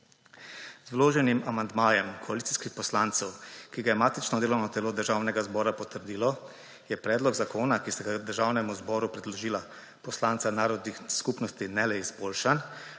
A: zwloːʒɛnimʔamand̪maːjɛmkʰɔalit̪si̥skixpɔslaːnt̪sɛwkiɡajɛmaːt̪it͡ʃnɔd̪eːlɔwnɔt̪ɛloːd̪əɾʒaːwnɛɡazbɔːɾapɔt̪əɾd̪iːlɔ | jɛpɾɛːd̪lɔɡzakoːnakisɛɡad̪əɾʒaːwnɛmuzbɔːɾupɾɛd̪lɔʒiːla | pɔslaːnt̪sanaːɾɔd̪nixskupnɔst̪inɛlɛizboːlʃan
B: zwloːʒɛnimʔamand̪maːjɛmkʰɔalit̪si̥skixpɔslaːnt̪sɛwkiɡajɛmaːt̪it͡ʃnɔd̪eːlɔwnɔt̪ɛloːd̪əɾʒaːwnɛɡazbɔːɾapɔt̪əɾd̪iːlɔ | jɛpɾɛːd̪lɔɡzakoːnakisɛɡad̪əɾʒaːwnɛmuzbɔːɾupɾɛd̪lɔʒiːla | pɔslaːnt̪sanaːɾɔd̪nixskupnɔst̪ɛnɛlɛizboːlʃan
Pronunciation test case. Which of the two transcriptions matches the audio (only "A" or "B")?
A